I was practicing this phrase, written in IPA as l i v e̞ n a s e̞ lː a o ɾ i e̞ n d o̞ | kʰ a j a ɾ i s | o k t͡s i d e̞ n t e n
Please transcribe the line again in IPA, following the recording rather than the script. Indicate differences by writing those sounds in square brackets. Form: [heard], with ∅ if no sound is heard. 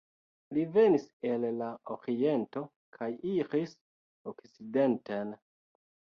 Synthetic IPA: l i v e̞ n [i] s e̞ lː a o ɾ i e̞ n [t] o̞ | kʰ a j [i] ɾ i s | o k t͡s i d e̞ n t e n